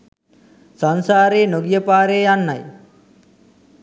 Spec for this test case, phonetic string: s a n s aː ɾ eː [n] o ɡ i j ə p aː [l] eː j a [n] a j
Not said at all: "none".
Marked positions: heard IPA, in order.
n, ɾ, nː

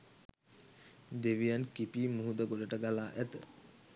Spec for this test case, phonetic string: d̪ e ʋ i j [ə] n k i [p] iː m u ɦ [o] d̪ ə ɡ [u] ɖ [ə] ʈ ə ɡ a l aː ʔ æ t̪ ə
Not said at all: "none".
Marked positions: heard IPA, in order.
a, p, u, o, ə

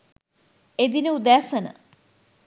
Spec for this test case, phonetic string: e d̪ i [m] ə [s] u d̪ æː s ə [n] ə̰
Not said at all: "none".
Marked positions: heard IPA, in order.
n, none, n

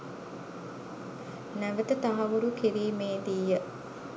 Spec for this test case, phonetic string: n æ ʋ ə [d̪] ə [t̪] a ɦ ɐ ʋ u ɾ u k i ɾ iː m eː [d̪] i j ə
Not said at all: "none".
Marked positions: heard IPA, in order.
t̪, t̪, d̪

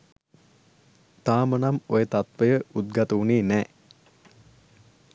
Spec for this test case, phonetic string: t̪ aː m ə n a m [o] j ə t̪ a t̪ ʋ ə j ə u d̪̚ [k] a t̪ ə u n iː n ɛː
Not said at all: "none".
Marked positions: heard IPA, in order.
o, ɡ

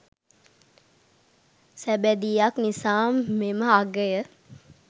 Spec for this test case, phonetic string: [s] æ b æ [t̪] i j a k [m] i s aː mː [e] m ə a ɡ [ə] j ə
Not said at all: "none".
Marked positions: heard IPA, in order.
s, d̪, n, e, ə

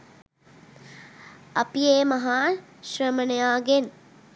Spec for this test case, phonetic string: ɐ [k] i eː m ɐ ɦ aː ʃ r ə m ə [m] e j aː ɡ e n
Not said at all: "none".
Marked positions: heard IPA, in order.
p, n

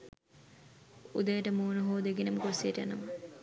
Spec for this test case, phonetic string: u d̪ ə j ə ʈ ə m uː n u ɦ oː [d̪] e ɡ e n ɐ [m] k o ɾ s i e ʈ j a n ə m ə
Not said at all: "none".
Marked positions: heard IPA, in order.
d̪, m

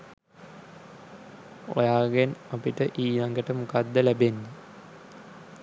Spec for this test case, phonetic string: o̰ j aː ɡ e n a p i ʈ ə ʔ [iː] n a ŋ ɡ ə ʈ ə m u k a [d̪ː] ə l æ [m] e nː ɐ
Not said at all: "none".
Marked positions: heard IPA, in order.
iː, d̪ː, b

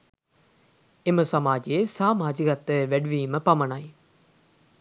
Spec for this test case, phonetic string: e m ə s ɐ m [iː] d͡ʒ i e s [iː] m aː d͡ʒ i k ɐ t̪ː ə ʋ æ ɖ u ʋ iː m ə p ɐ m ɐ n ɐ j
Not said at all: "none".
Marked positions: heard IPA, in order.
aː, aː

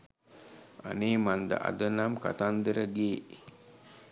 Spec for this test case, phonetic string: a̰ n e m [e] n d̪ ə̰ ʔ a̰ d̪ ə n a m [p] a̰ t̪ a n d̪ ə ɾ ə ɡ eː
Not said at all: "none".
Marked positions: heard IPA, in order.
a, k

